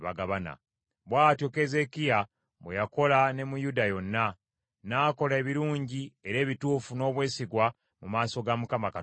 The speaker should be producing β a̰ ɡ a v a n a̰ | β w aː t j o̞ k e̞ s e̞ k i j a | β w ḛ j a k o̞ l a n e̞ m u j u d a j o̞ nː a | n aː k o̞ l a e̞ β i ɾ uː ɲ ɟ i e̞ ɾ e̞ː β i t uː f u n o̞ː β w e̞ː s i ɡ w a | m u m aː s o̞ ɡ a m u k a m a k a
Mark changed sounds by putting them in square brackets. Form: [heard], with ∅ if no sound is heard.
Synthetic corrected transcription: β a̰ ɡ a [β] a n a̰ | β w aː t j o̞ k e̞ [z] e̞ k i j a | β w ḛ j a k o̞ l a n e̞ m u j u d a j o̞ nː a | n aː k o̞ l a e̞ β i ɾ uː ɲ ɟ i e̞ ɾ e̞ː β i t uː f u n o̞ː β w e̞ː s i ɡ w a | m u m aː s o̞ ɡ a m u k a m a k a